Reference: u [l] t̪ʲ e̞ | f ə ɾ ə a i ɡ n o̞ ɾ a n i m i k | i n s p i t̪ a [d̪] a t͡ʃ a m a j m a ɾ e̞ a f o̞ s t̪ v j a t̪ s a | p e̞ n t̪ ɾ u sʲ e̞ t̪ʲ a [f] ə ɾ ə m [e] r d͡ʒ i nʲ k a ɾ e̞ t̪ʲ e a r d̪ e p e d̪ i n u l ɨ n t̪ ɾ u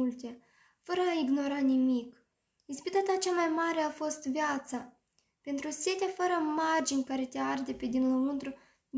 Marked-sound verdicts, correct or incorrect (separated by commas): correct, incorrect, correct, incorrect